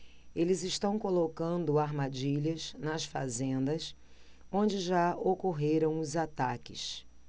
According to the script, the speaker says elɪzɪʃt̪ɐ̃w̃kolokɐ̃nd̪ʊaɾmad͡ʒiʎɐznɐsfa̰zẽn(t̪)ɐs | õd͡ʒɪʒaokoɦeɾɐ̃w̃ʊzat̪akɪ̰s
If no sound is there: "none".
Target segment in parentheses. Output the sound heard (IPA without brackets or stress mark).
d̪